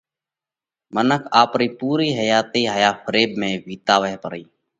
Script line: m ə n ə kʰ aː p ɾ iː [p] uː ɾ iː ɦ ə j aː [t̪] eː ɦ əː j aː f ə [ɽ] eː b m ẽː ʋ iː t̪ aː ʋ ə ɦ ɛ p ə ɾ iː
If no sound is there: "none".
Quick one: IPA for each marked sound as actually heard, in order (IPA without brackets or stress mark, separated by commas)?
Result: p, t̪, ɾ